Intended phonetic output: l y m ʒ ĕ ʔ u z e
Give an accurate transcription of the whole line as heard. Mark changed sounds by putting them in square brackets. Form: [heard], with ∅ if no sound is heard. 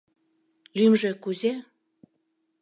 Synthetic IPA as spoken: l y m ʒ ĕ [k] u z e